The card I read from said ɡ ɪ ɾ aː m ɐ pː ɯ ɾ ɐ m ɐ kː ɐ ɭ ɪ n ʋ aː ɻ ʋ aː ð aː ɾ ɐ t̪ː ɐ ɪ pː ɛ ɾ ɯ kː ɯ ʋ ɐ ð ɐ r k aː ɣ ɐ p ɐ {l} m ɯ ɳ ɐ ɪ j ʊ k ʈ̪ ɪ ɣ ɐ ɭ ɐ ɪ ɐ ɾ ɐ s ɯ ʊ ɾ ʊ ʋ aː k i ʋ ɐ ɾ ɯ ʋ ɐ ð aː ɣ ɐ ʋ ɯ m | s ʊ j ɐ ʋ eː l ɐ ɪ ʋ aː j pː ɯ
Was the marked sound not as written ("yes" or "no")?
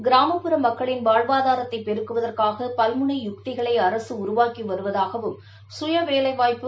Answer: no